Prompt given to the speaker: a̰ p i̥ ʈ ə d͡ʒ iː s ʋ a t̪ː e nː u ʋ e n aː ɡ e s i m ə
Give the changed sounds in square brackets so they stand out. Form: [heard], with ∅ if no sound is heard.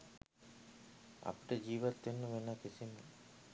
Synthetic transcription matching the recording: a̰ p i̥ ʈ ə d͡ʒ iː [∅] ʋ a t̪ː e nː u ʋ e n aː [k] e s i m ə